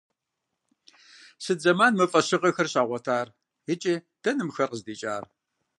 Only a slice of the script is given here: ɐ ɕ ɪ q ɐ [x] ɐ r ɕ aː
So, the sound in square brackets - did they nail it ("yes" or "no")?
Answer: yes